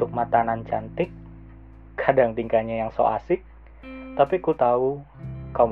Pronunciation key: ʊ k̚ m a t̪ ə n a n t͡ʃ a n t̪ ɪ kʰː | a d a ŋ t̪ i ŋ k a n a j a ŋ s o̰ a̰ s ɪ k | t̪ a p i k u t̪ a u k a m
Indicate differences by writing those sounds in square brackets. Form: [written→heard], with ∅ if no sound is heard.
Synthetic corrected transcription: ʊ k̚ m a t̪ [ə→a] n a n t͡ʃ a n t̪ ɪ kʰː | a d a ŋ t̪ i ŋ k a [n→ɲ] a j a ŋ s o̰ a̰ s ɪ k | t̪ a p i k u t̪ a u k a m